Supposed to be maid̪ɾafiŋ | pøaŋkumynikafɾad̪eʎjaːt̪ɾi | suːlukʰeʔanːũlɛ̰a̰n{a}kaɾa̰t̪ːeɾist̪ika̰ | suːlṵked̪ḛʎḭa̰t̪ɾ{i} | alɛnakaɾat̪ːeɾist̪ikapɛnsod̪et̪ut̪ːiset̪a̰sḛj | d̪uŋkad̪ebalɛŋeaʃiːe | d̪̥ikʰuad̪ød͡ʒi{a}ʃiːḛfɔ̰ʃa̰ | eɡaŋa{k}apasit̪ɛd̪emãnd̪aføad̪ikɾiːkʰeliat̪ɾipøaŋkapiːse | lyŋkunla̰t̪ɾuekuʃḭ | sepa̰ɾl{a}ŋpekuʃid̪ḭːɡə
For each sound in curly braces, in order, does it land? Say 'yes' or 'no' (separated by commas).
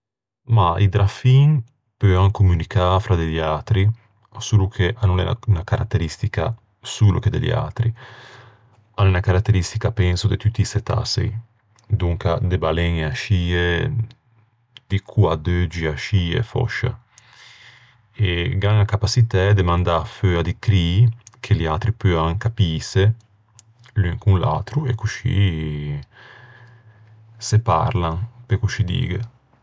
yes, yes, yes, yes, yes